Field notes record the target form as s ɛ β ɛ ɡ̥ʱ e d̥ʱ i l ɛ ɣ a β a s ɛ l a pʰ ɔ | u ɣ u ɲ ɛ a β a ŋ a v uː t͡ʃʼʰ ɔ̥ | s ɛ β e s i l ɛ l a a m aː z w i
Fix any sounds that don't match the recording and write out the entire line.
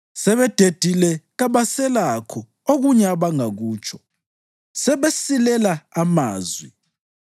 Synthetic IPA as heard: s ɛ β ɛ d̥ʱ e d̥ʱ i l ɛ ɣ a β a s ɛ l a kʰ ɔ | o ɣ u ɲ ɛ a β a ŋ a ɣ uː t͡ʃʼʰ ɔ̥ | s ɛ β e s i l ɛ l a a m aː z w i